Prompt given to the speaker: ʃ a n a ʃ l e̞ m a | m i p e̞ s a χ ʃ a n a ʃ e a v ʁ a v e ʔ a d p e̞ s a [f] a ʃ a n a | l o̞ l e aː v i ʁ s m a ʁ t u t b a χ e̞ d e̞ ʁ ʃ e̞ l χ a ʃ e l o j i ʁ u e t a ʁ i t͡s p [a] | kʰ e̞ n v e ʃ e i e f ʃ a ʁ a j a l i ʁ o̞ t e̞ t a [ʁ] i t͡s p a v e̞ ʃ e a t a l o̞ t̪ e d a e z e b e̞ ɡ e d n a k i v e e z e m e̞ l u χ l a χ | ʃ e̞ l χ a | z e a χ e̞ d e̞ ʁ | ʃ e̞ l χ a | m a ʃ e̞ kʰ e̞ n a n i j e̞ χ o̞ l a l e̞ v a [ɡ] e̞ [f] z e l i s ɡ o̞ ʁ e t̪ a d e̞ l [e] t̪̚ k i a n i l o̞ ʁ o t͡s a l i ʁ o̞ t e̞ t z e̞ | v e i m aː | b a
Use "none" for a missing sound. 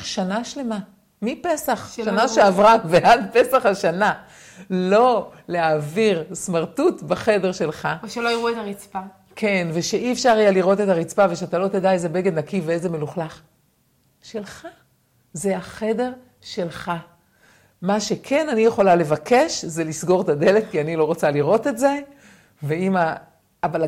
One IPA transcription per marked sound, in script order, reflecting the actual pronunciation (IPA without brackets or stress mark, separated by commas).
χ, a, ʁ, k, ʃ, e